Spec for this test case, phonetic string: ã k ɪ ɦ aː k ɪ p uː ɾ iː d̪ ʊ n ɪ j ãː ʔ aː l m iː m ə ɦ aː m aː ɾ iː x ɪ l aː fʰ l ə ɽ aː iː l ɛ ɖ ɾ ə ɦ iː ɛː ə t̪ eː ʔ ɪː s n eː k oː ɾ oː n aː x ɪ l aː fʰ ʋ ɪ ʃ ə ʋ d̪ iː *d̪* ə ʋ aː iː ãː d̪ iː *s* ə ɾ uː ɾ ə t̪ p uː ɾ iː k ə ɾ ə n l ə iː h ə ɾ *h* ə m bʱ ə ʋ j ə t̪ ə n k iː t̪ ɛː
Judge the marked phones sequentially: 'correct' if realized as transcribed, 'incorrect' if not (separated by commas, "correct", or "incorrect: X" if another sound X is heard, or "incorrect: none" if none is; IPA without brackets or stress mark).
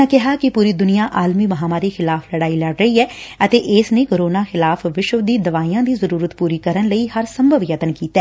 correct, incorrect: z, incorrect: s